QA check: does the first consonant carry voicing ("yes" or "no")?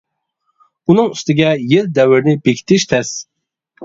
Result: yes